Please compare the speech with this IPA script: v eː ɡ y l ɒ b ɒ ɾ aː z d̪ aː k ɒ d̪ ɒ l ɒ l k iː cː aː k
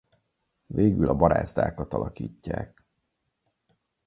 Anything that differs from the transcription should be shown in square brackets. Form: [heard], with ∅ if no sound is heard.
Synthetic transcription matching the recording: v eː ɡ y l ɒ b ɒ ɾ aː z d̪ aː k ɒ [t̪] ɒ l ɒ [∅] k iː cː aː k